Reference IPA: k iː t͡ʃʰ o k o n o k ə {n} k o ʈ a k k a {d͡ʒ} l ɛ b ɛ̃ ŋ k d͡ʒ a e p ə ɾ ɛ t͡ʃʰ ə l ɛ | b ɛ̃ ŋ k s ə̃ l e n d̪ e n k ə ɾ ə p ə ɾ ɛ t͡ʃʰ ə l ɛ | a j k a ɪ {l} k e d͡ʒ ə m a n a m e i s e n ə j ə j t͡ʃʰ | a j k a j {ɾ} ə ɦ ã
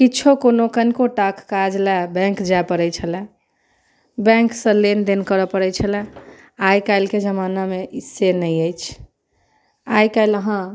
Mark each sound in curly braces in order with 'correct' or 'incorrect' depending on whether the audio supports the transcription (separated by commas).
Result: correct, correct, correct, incorrect